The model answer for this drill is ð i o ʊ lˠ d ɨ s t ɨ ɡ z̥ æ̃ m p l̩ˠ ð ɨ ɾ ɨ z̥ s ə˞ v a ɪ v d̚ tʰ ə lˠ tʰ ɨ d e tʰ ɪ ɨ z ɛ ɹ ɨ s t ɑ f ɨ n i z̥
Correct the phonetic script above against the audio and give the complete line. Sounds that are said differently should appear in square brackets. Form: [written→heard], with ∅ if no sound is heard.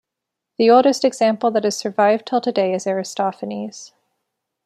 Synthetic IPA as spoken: ð i o ʊ lˠ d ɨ s t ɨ ɡ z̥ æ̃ m p l̩ˠ ð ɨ ɾ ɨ z̥ s ə˞ v a ɪ v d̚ tʰ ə lˠ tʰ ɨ d e [tʰ→∅] ɪ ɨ z ɛ ɹ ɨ s t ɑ f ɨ n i z̥